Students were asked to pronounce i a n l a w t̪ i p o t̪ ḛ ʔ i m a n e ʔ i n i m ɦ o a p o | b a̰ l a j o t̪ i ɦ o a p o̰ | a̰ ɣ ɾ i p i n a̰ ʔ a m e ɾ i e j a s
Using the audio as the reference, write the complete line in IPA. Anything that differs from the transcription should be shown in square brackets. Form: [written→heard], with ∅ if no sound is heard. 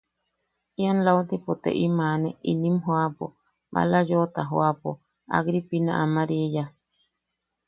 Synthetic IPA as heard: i a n l a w t̪ i p o t̪ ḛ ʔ i m a n e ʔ i n i m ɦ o a p o | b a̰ l a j o t̪ [i→a] ɦ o a p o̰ | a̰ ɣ ɾ i p i n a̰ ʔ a m [e→a] ɾ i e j a s